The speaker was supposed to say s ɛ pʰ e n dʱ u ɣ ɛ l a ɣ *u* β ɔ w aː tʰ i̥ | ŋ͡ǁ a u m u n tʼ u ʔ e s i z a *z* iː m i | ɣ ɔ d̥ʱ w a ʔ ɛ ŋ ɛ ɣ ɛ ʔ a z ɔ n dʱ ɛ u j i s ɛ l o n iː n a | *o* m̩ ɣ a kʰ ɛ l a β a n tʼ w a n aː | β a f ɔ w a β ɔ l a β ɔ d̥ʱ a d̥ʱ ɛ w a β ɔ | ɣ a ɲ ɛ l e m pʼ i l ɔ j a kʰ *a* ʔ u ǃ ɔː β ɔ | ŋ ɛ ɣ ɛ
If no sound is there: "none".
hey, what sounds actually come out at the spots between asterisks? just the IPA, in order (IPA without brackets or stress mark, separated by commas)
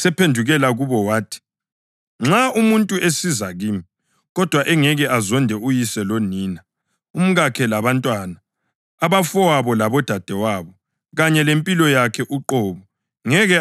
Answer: u, ɣ, u, ɛ